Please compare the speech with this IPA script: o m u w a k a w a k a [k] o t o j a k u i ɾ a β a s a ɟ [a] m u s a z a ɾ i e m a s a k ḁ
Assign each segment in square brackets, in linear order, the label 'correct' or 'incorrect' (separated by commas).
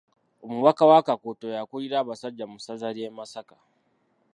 correct, correct